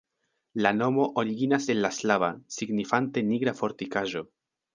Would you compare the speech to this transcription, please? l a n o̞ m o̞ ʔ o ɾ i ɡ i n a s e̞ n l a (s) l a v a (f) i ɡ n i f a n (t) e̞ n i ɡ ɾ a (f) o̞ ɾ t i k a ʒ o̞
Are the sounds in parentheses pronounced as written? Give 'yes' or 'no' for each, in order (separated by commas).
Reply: yes, no, yes, yes